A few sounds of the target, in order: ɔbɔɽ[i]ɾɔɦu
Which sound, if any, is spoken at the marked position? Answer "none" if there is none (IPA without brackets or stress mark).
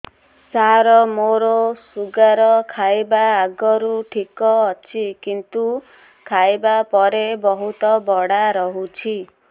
a